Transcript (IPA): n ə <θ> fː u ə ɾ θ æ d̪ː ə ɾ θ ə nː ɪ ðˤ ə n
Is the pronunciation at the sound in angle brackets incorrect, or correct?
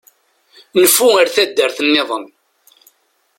incorrect